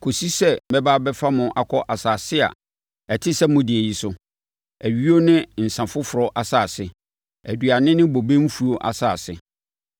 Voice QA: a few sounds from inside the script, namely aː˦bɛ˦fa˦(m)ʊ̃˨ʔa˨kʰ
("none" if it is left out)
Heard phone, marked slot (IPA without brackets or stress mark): m